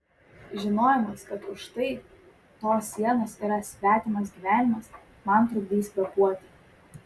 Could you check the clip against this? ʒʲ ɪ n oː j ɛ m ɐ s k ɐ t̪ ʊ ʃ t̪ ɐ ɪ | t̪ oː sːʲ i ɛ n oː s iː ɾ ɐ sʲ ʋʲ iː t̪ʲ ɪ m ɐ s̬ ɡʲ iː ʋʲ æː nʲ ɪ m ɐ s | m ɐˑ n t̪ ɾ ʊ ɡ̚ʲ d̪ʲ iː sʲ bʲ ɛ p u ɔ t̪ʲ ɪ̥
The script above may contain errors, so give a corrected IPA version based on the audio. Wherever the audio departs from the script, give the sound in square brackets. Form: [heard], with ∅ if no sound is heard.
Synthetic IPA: ʒʲ ɪ n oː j ɛ m ɐ s k ɐ t̪ ʊ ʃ t̪ ɐ ɪ | t̪ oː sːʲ i ɛ n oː s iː ɾ ɐ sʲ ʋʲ [æː] t̪ʲ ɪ m ɐ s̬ ɡʲ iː ʋʲ æː nʲ ɪ m ɐ s | m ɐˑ n t̪ ɾ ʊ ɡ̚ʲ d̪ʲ iː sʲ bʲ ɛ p u ɔ t̪ʲ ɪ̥